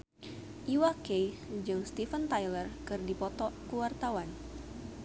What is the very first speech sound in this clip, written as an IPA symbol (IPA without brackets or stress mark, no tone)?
ʔ